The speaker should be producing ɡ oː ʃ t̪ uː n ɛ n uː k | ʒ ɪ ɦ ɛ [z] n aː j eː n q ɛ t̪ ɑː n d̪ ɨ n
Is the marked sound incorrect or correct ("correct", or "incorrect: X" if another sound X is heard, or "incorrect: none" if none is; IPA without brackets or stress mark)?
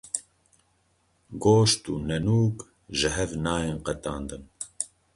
incorrect: v